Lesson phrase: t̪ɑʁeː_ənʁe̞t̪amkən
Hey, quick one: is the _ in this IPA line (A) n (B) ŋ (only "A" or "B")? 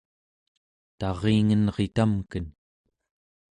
B